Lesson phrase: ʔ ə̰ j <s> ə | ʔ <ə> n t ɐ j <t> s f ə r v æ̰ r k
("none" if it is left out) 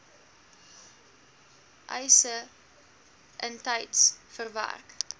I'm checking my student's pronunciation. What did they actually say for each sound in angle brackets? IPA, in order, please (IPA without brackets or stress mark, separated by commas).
s, ə, t